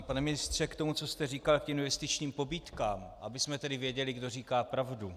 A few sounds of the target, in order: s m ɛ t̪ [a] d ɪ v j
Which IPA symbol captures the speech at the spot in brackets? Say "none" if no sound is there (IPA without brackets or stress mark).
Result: ɛ